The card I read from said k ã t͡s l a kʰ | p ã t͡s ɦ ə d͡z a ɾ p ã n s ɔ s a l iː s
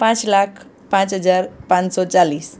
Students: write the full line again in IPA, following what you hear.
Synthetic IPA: p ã t͡s l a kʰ | p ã t͡s ɦ ə d͡z a ɾ p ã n s ɔ t͡s a l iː s

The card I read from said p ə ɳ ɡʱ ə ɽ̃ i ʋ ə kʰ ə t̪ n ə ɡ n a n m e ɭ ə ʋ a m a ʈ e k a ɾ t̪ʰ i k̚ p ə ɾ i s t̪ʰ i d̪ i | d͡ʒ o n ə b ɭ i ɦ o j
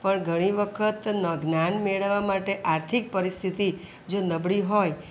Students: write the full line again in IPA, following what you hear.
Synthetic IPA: p ə ɳ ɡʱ ə ɽ̃ i ʋ ə kʰ ə t̪ n ə ɡ n a n m e ɭ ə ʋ a m a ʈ e ʔ a ɾ t̪ʰ i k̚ p ə ɾ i s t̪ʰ i t̪ i | d͡ʒ o n ə b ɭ i ɦ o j

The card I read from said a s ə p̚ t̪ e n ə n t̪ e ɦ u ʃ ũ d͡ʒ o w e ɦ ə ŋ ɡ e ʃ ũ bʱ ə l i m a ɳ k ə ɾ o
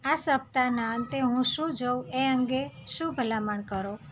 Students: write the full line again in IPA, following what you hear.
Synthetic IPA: a s ə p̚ t̪ a n a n t̪ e ɦ ũ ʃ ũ d͡ʒ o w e ə ŋ ɡ e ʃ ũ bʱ ə l a m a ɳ k ə ɾ o

